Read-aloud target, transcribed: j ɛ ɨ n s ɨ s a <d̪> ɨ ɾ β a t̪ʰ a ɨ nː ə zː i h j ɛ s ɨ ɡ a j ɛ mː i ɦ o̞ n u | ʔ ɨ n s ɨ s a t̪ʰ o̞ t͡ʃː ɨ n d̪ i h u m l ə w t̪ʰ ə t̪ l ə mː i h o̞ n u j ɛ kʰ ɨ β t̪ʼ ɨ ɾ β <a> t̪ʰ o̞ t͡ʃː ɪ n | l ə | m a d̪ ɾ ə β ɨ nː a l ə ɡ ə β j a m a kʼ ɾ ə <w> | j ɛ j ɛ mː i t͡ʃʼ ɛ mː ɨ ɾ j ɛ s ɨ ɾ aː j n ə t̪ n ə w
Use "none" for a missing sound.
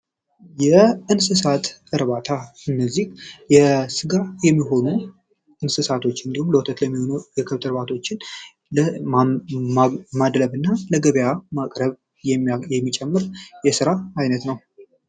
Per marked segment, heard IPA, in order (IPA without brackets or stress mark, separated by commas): t̪, a, β